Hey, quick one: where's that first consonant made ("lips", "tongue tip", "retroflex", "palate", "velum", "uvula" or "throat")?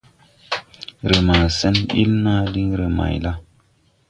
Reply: tongue tip